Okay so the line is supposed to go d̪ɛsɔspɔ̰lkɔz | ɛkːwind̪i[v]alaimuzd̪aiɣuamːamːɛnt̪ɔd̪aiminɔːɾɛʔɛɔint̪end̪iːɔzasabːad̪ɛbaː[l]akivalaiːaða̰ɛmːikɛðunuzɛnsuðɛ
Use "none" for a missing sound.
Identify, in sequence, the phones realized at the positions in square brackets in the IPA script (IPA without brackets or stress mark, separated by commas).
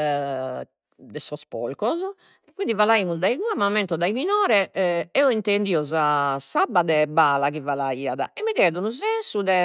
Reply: v, l